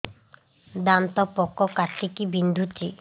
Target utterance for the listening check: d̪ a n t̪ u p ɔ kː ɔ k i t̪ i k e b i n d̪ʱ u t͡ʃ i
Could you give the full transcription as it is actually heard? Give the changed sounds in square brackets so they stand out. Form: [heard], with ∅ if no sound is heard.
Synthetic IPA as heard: d̪ a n t̪ [ɔ] p ɔ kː ɔ k [a] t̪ i k [i] b i n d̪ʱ u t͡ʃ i